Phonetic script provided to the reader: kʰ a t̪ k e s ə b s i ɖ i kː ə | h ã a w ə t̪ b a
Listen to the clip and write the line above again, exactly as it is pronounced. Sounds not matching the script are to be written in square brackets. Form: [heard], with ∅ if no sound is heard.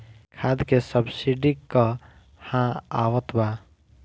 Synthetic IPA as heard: kʰ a [d̪] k e s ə b s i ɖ i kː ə | h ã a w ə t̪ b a